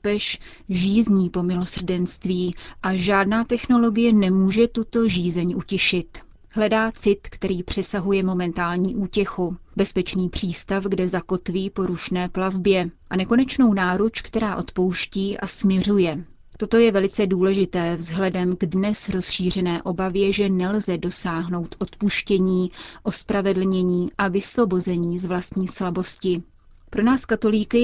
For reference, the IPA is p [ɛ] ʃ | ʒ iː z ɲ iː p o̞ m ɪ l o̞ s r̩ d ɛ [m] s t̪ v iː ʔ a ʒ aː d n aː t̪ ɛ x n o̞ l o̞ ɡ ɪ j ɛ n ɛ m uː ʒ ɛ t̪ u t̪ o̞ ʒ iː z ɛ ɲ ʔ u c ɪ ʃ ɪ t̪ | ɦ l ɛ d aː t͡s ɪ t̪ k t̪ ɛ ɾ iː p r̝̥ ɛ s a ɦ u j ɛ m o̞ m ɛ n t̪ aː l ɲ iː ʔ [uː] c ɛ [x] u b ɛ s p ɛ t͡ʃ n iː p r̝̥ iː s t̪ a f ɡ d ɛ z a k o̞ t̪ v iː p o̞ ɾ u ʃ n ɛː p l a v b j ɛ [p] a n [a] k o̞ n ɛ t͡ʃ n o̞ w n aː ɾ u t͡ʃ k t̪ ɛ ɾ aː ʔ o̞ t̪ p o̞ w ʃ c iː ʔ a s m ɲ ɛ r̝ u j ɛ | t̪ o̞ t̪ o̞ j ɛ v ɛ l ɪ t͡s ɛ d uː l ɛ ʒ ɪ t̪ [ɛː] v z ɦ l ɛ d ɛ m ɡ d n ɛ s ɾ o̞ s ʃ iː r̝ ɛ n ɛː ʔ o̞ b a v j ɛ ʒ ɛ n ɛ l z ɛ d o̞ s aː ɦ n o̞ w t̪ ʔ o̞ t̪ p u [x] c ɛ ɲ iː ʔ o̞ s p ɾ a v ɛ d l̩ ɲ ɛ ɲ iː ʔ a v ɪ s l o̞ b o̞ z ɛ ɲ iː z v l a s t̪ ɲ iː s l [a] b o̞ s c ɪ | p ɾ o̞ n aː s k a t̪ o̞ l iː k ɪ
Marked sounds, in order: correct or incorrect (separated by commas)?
correct, incorrect, correct, correct, incorrect, incorrect, correct, incorrect, correct